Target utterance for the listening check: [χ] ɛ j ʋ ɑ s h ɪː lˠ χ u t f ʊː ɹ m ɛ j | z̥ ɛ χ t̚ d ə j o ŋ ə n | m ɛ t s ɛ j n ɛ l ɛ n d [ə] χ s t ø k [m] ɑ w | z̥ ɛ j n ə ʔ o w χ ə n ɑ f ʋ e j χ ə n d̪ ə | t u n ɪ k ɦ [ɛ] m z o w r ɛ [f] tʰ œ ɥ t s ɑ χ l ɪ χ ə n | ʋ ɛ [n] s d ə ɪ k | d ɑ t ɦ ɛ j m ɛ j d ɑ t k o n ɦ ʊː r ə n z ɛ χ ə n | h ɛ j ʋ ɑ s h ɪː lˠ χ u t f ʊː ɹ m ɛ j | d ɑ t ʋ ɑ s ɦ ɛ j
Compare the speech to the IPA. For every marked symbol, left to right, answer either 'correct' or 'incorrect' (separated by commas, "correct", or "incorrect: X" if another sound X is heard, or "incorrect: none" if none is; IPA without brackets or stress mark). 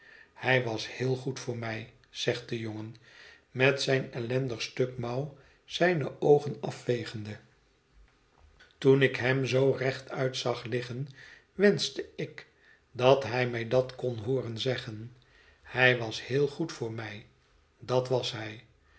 incorrect: h, correct, correct, correct, incorrect: χ, correct